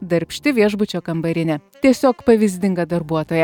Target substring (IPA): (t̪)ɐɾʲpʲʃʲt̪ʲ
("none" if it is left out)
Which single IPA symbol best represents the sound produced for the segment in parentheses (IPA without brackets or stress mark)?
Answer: d̪